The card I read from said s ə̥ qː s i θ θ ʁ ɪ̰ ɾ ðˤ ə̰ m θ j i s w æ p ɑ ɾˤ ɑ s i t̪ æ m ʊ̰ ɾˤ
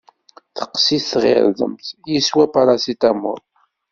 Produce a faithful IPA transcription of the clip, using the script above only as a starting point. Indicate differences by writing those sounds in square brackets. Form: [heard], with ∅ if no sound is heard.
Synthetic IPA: [θ] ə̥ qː s i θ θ ʁ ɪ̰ ɾ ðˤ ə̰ m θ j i s w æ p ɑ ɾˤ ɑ s i t̪ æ m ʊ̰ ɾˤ